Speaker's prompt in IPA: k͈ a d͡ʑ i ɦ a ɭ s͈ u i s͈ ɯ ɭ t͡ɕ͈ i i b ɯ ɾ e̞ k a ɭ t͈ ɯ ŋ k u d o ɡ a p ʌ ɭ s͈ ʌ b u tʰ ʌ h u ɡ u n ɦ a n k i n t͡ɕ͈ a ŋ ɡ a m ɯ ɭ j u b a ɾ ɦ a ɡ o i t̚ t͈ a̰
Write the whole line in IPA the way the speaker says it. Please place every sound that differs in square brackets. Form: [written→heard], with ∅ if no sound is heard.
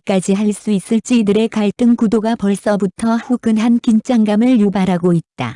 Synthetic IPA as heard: k͈ a d͡ʑ i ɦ a ɭ s͈ u i s͈ ɯ ɭ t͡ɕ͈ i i [b→d] ɯ ɾ e̞ k a ɭ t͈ ɯ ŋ k u d o ɡ a p ʌ ɭ s͈ ʌ b u tʰ ʌ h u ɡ [u→ɯ] n ɦ a n k i n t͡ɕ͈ a ŋ ɡ a m ɯ ɭ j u b a ɾ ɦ a ɡ o i t̚ t͈ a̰

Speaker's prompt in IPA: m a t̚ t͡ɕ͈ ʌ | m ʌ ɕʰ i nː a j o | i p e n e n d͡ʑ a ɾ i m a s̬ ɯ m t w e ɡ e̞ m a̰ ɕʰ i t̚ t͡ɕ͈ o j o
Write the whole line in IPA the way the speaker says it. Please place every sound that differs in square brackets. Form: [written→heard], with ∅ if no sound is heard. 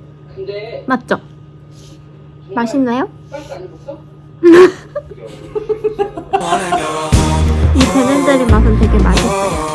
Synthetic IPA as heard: m a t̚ t͡ɕ͈ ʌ | m [ʌ→a] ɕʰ i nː a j o | i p e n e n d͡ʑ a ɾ i m a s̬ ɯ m t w e ɡ e̞ m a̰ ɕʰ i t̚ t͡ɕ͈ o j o

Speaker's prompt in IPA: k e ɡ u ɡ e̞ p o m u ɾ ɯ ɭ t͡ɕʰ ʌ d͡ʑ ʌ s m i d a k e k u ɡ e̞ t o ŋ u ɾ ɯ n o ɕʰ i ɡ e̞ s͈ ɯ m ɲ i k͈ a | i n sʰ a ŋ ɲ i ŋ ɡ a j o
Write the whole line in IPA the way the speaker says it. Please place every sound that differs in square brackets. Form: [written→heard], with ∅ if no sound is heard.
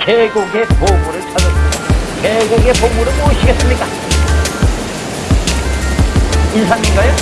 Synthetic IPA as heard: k e ɡ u ɡ e̞ p o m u ɾ ɯ ɭ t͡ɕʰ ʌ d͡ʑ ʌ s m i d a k e [k→ɡ] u ɡ e̞ [t→p] o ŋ u ɾ ɯ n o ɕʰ i ɡ e̞ s͈ ɯ m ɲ i k͈ a | i n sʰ a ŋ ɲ i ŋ ɡ a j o

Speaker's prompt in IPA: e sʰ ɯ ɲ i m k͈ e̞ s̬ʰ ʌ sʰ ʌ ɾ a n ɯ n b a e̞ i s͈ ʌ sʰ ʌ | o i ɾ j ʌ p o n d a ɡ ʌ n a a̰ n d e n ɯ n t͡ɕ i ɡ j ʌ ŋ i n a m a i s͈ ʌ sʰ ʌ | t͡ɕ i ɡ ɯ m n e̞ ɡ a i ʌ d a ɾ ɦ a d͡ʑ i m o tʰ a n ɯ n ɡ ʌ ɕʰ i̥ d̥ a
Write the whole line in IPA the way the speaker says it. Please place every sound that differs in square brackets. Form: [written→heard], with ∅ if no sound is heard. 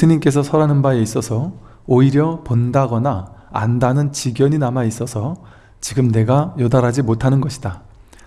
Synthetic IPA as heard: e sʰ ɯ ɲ i m k͈ e̞ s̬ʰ ʌ sʰ ʌ ɾ a n ɯ n b a e̞ i s͈ ʌ sʰ ʌ | o i ɾ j ʌ p o n d a ɡ ʌ n a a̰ n d [e→a] n ɯ n t͡ɕ i ɡ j ʌ [ŋ→ɲ] i n a m a i s͈ ʌ sʰ ʌ | t͡ɕ i ɡ ɯ m n e̞ ɡ a [i→j] ʌ d a ɾ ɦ a d͡ʑ i m o tʰ a n ɯ n ɡ ʌ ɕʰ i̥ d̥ a

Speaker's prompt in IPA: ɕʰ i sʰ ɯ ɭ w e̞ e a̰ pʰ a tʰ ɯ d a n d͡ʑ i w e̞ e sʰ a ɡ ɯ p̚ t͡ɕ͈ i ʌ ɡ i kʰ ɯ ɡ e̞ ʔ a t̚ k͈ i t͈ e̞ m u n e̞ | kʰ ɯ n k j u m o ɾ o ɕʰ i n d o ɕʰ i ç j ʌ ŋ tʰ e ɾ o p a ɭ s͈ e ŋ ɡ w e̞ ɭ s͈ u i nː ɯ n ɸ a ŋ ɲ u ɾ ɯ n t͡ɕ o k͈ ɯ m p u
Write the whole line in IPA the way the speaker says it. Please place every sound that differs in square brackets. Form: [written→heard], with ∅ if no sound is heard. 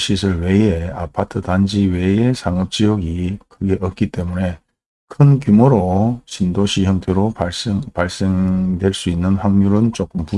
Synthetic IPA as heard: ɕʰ i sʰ ɯ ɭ w e̞ e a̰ pʰ a tʰ ɯ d a n d͡ʑ i w e̞ e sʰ a [ɡ→ŋ] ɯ p̚ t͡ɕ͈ i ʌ ɡ i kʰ ɯ ɡ e̞ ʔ [a→ʌ] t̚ k͈ i t͈ e̞ m u n e̞ | kʰ ɯ n k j u m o ɾ o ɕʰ i n d o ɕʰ i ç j ʌ ŋ tʰ e ɾ o p a ɭ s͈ e ŋ [ɡ→d] w e̞ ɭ s͈ u i nː ɯ n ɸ a ŋ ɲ u ɾ ɯ n t͡ɕ o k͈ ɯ m p u

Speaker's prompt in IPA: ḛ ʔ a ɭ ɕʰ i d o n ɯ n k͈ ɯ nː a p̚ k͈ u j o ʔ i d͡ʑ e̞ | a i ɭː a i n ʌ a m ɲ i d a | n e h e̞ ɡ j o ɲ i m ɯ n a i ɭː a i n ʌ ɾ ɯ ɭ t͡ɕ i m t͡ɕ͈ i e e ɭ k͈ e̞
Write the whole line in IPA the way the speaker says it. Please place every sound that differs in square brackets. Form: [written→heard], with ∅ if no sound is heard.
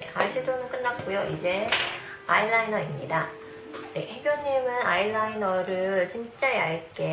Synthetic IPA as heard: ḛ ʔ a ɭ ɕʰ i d o n ɯ n k͈ ɯ nː a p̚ k͈ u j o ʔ i d͡ʑ e̞ | a i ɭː a i n ʌ [a→i] m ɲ i d a | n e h e̞ ɡ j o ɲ i m ɯ n a i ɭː a i n ʌ ɾ ɯ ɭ t͡ɕ i m t͡ɕ͈ [i→a] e [e→a] ɭ k͈ e̞

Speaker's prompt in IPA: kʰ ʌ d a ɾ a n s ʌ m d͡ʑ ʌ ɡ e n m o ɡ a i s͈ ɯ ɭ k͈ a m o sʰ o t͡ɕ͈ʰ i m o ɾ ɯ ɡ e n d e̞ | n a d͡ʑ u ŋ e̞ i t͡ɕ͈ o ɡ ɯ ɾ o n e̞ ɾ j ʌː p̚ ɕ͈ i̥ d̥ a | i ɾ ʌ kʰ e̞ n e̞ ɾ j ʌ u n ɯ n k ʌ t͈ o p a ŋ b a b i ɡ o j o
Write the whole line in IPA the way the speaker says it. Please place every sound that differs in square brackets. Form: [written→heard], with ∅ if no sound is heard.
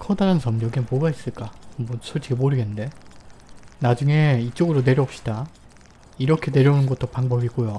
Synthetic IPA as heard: kʰ ʌ d a ɾ a n s ʌ m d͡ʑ ʌ ɡ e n m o ɡ a i s͈ ɯ ɭ k͈ a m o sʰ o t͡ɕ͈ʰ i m o ɾ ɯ ɡ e n d e̞ | n a d͡ʑ u ŋ e̞ i t͡ɕ͈ o ɡ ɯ ɾ o n e̞ ɾ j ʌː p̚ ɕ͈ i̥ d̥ a | i ɾ ʌ kʰ e̞ n e̞ ɾ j ʌ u n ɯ n [k→ɡ] ʌ t͈ o p a ŋ b [a→ʌ] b i ɡ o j o

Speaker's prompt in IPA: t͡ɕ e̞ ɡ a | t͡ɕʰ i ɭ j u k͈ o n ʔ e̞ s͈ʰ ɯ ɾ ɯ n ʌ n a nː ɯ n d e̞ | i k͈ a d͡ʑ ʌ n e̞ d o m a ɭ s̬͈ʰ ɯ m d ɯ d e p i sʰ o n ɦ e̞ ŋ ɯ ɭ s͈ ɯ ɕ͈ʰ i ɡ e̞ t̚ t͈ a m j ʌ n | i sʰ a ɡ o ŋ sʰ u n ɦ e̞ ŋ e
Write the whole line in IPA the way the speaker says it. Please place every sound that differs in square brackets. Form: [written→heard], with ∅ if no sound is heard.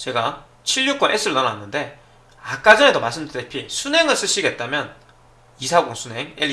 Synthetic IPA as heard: t͡ɕ e̞ ɡ a | t͡ɕʰ i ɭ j u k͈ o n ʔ e̞ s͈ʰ ɯ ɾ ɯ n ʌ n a nː ɯ n d e̞ | [i→a] k͈ a d͡ʑ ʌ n e̞ d o m a ɭ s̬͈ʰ ɯ m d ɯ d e [p→pʰ] i sʰ [o→u] n ɦ e̞ ŋ ɯ ɭ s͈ ɯ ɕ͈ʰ i ɡ e̞ t̚ t͈ a m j ʌ n | i sʰ a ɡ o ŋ sʰ u n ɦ e̞ ŋ e

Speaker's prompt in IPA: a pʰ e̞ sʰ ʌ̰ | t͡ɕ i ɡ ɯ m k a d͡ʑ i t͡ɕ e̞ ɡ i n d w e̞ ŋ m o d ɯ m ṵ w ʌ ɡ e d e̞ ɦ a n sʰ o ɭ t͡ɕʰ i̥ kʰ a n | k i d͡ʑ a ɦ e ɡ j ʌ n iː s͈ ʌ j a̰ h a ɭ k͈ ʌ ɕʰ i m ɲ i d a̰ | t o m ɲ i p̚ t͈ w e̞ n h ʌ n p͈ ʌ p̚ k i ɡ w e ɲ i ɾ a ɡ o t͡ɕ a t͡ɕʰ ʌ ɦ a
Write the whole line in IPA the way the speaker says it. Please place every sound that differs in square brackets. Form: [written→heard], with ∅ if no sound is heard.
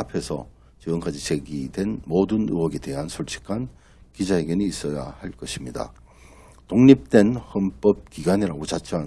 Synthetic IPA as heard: a pʰ e̞ sʰ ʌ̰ | t͡ɕ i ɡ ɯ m k a d͡ʑ i t͡ɕ e̞ ɡ i [n→∅] d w e̞ [ŋ→n] m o d ɯ [m→n] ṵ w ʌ ɡ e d e̞ ɦ a n sʰ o ɭ t͡ɕʰ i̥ kʰ a n | k i d͡ʑ a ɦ e ɡ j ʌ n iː s͈ ʌ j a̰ h a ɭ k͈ ʌ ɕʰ i m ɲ i d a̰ | t o [m→ŋ] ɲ i p̚ t͈ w e̞ n h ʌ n p͈ ʌ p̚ k i ɡ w [e→a] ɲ i ɾ a ɡ o t͡ɕ a t͡ɕʰ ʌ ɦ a

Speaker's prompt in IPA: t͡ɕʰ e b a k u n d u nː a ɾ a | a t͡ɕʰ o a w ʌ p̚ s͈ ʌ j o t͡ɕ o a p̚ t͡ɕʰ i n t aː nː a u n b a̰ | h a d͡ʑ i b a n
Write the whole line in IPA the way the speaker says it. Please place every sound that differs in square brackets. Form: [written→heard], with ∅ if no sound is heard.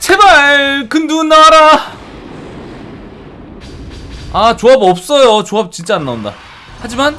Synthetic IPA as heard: t͡ɕʰ e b a k [u→ɯ] n d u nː a ɾ a | a [t͡ɕʰ→t͡ɕ] o a [w→b] ʌ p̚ s͈ ʌ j o t͡ɕ o a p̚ [t͡ɕʰ→t͡ɕ] i n [t→t͡ɕ͈] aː nː a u n [b→d] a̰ | h a d͡ʑ i [b→m] a n

